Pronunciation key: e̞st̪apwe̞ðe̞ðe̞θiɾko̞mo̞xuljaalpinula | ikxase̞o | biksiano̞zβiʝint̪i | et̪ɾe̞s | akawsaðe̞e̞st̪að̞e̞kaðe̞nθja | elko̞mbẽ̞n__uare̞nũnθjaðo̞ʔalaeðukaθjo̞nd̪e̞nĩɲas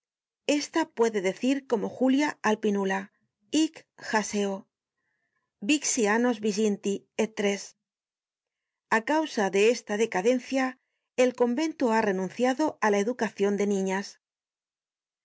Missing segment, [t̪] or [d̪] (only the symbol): t̪